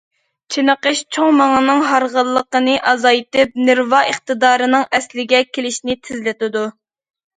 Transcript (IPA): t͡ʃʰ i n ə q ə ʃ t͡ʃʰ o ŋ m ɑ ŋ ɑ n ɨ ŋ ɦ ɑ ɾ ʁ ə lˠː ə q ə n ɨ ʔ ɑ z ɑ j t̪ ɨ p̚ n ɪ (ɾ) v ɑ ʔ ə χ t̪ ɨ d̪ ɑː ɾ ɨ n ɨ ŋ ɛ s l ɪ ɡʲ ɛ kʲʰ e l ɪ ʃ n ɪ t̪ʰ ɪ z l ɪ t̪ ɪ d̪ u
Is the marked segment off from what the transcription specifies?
no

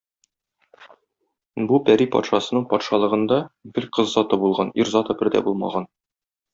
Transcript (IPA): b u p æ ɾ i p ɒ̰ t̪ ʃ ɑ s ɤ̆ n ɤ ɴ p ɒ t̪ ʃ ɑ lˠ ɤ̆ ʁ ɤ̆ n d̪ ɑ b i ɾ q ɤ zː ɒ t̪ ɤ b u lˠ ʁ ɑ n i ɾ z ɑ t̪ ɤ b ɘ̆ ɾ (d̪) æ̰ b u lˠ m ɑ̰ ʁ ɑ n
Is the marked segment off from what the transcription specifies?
no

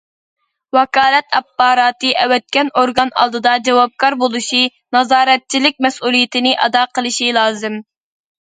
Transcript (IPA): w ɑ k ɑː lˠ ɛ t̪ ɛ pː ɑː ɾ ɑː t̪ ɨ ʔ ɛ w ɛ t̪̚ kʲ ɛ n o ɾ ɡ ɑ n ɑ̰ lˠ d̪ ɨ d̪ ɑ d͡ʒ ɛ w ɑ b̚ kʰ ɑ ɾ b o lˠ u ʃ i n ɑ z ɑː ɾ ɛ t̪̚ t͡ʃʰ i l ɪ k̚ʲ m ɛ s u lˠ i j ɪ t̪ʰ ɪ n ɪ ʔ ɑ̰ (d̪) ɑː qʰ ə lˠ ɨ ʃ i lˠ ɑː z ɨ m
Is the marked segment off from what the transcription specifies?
no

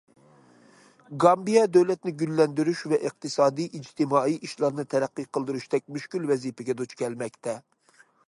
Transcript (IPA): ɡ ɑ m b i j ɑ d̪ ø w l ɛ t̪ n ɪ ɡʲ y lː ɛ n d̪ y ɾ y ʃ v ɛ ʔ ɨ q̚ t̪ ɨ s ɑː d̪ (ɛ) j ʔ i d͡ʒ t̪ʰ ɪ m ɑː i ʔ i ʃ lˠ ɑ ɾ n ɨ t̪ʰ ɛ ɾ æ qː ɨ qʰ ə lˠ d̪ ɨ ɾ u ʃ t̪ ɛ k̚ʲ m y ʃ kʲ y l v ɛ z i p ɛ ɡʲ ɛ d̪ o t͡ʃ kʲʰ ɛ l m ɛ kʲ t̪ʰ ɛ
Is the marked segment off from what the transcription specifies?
yes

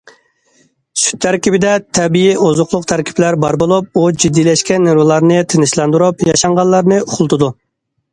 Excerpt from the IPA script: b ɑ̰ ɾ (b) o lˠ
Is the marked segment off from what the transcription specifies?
no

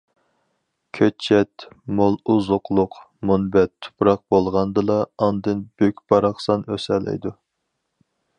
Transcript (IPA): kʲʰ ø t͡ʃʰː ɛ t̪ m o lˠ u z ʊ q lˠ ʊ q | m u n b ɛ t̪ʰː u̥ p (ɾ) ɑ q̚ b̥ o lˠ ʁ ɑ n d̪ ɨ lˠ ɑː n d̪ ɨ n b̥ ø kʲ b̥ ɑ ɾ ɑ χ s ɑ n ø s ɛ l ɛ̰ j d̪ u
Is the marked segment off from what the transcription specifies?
no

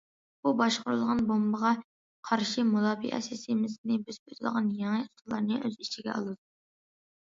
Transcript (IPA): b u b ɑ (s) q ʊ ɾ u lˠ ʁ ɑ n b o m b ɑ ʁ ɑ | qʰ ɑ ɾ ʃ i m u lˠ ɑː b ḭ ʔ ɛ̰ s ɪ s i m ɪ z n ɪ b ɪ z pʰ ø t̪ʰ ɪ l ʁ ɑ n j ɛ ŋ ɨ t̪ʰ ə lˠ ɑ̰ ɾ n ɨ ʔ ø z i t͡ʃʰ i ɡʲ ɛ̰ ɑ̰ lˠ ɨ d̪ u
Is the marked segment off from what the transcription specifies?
yes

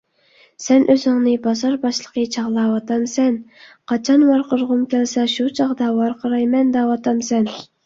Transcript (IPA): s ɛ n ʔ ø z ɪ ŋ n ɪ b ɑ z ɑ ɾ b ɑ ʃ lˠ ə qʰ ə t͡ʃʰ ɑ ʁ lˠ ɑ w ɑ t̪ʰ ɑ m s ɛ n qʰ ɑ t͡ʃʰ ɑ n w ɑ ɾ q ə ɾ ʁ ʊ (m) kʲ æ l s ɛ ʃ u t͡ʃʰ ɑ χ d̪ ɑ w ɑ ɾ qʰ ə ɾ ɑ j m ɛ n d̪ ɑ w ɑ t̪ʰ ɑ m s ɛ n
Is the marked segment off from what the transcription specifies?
no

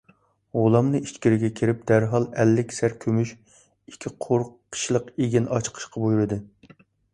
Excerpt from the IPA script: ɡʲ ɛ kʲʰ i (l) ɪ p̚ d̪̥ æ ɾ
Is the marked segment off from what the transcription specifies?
yes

